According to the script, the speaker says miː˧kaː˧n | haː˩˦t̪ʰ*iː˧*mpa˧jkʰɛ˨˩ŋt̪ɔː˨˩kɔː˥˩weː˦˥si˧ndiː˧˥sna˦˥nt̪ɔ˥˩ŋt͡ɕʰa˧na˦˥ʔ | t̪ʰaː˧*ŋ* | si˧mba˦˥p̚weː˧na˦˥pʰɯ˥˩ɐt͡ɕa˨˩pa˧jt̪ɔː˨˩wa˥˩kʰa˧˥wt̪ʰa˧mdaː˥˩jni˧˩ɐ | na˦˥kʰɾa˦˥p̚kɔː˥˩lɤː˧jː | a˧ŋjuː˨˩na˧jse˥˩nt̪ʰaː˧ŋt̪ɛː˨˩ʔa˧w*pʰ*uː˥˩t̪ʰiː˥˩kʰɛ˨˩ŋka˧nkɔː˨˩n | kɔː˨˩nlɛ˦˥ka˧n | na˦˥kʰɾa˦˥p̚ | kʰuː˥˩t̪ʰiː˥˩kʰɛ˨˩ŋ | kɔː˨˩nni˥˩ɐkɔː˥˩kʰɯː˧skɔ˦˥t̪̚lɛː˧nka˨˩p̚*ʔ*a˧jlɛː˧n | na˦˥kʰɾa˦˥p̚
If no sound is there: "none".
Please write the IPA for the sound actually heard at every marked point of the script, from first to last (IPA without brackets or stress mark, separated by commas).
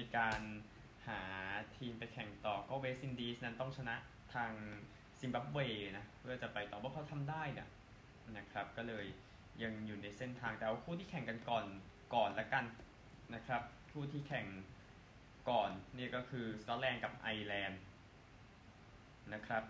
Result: iː˧, ŋ, kʰ, ʔ